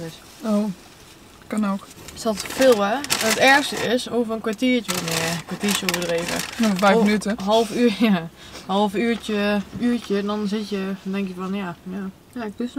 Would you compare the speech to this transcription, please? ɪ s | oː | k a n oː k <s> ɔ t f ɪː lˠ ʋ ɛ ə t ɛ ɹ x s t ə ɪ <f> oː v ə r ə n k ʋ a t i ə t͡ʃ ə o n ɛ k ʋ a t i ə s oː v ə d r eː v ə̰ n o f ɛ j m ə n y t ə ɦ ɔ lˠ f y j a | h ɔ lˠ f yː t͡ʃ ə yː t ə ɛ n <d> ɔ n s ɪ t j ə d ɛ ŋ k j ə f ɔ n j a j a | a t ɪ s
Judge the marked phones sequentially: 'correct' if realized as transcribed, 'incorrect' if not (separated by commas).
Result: correct, incorrect, correct